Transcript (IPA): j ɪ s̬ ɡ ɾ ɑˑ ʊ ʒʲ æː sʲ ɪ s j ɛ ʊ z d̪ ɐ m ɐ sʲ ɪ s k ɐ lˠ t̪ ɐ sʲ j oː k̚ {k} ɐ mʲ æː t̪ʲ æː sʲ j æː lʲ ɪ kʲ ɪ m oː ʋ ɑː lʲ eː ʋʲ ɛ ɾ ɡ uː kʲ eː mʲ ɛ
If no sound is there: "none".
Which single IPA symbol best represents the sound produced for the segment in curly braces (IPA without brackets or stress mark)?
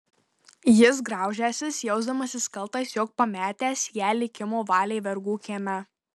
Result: p